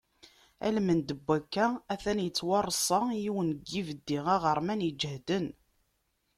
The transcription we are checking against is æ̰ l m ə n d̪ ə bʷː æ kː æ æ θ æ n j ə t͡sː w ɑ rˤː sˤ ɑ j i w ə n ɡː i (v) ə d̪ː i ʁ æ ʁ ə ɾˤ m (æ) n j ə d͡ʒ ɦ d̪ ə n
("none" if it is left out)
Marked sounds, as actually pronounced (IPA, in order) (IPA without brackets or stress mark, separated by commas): v, æ